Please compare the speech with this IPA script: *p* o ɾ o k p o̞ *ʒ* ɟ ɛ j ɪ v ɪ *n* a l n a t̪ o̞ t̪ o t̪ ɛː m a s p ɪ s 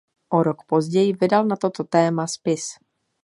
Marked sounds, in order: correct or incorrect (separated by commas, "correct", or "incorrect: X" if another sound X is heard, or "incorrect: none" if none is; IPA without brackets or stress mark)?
incorrect: ʔ, incorrect: z, incorrect: d